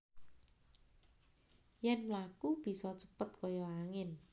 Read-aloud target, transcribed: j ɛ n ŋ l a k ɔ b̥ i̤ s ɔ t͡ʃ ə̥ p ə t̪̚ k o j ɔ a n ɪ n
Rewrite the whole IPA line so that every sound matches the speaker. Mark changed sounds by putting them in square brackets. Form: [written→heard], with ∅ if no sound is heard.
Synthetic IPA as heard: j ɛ n [ŋ→m] l a k [ɔ→u] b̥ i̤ s ɔ t͡ʃ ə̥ p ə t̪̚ k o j ɔ a [n→ŋ] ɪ n